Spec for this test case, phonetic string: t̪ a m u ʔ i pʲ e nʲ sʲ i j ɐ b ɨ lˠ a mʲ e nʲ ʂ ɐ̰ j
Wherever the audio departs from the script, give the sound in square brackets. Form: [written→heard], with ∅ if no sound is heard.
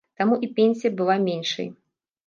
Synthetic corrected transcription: t̪ a m u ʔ i pʲ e nʲ sʲ i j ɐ b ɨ lˠ a mʲ e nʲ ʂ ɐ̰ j